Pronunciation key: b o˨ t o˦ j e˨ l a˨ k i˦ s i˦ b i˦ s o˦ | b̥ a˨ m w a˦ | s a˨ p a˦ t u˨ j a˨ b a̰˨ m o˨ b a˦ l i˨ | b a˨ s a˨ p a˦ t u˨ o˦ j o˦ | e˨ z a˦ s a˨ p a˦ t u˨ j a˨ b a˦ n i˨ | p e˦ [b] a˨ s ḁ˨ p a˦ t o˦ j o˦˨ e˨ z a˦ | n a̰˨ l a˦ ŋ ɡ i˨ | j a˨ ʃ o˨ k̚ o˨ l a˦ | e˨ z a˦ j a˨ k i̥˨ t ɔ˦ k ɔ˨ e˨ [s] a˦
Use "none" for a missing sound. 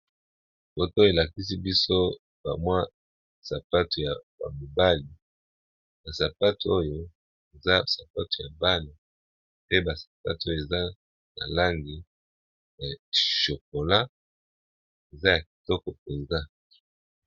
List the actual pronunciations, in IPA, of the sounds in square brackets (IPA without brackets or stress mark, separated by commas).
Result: b, z